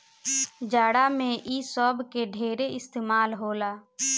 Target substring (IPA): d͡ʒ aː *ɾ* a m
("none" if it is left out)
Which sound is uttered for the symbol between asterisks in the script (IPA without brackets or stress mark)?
ɽ